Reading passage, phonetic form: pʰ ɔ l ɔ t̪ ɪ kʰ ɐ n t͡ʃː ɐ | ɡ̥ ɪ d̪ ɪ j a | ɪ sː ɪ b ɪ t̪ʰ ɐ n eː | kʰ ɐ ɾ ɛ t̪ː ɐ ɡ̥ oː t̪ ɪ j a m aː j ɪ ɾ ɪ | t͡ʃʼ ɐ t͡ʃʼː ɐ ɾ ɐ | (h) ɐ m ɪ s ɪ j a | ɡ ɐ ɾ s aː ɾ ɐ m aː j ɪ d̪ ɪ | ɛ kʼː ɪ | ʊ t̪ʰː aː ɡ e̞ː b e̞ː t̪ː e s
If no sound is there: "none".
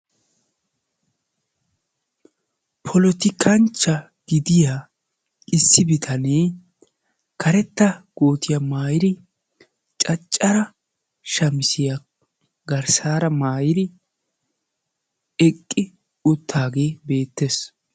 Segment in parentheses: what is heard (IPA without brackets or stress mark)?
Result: ʃ